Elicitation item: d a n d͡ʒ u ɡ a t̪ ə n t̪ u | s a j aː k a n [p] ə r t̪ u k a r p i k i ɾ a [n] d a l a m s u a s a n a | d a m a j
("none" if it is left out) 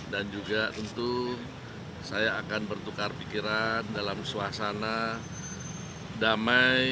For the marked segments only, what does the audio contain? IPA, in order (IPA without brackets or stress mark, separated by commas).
b, n